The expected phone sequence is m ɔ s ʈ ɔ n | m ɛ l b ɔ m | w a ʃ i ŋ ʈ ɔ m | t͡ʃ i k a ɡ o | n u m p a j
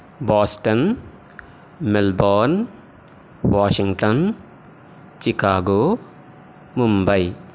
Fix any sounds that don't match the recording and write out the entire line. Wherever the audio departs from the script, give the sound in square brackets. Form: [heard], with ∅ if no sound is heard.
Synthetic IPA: [b] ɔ s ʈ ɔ n | m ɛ l b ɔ [n] | w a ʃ i ŋ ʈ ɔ [n] | t͡ʃ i k a ɡ o | [m] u m [b] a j